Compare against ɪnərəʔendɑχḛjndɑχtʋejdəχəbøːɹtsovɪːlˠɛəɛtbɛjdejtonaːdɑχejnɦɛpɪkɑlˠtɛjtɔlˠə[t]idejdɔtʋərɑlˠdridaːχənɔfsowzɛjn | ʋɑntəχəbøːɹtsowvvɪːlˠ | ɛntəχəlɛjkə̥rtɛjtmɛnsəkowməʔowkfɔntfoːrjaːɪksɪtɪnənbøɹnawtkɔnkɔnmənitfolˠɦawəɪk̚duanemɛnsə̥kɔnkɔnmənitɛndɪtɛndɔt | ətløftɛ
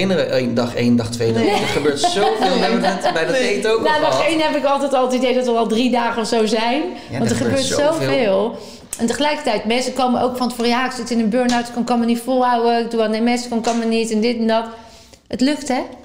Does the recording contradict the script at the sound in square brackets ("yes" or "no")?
no